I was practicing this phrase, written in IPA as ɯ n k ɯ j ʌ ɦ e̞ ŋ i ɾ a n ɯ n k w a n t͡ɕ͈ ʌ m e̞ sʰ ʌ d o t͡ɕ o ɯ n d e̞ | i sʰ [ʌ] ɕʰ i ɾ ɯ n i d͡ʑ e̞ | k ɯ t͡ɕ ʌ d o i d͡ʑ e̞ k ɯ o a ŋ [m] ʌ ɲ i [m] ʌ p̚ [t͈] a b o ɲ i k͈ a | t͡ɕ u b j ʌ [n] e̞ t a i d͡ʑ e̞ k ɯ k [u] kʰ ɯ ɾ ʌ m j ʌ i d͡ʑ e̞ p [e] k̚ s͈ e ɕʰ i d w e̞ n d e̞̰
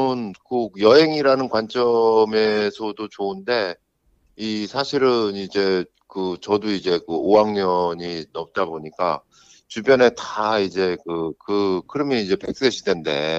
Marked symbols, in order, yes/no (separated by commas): no, no, no, yes, yes, no, yes